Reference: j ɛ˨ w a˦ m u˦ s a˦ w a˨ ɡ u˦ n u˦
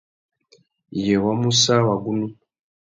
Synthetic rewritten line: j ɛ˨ w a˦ m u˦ s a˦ w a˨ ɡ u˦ n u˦